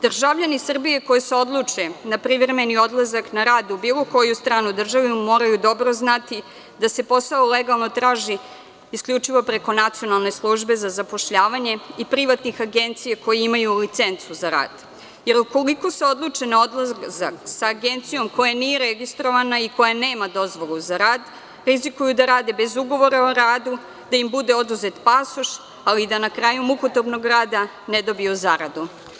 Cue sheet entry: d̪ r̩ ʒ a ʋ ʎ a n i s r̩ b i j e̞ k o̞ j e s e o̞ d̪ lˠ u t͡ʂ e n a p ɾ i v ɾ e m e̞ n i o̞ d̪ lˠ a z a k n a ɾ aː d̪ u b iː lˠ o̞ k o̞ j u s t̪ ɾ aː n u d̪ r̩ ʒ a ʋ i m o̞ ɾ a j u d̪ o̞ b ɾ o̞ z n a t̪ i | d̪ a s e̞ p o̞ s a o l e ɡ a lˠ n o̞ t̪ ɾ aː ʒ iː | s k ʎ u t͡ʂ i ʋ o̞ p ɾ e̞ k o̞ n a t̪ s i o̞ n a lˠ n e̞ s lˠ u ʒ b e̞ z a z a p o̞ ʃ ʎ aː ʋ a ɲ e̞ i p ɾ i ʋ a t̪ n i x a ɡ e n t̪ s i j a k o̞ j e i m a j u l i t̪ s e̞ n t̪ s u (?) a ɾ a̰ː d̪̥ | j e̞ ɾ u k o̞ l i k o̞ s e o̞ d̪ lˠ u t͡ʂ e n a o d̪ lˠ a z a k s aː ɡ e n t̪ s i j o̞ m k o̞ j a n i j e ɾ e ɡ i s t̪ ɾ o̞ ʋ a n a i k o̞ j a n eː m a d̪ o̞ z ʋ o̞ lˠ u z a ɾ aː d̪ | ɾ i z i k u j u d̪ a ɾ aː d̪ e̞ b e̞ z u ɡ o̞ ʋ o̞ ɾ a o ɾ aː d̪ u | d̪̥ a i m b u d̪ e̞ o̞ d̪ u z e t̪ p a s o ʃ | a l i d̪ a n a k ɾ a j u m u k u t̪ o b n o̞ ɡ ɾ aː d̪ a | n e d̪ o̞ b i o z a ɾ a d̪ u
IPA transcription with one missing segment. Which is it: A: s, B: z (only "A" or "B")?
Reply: B